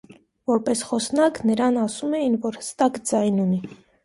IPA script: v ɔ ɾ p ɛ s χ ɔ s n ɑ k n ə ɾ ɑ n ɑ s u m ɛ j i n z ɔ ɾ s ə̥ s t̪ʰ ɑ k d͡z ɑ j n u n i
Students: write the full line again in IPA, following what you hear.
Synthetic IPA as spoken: v ɔ ɾ p ɛ s χ ɔ s n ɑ k n ə ɾ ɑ n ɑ s u m ɛ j i n v ɔ ɾ h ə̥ s t̪ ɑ k d͡z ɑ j n u n i